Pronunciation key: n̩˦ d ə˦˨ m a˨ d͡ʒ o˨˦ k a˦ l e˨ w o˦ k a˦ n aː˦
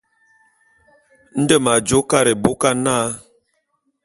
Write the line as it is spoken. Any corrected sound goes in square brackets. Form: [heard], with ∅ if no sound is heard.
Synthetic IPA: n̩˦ d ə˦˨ m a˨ d͡ʒ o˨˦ k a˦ [ɾ] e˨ [b] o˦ k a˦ n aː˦